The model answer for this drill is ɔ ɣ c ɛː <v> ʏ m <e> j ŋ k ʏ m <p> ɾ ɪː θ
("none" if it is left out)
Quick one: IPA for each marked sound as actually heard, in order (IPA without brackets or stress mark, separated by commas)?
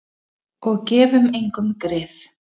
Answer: v, e, k